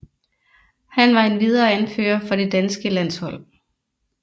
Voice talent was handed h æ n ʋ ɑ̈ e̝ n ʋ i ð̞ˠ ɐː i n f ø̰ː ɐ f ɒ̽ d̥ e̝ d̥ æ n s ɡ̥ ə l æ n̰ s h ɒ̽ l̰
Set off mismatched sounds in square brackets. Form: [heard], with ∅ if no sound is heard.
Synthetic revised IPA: h æ n ʋ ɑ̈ e̝ n ʋ i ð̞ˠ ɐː [æ] n f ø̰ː ɐ f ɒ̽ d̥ e̝ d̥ æ n s ɡ̥ ə l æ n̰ s h ɒ̽ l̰